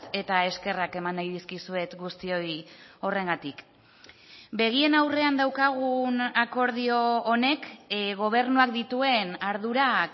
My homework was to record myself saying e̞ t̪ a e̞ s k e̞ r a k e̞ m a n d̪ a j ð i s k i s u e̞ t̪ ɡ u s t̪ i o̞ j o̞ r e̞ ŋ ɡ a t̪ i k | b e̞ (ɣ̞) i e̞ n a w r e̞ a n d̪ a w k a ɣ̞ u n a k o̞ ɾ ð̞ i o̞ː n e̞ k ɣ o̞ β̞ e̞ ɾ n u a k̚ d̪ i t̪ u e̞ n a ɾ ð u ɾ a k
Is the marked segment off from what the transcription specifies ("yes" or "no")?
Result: no